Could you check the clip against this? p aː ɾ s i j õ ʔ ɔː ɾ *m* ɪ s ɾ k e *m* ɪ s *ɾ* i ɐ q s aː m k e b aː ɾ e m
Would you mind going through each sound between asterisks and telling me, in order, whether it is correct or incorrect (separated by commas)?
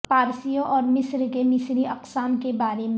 correct, correct, correct